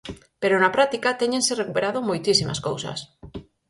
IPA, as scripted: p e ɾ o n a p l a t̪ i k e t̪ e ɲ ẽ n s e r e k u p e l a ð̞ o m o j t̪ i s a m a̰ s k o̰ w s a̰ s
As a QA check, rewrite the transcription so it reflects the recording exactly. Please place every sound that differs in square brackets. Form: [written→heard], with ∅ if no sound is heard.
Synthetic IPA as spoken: p e ɾ o n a p [l→ɾ] a t̪ i k [e→a] t̪ e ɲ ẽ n s e r e k u p e [l→ɾ] a ð̞ o m o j t̪ i s [a→i] m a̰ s k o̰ w s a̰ s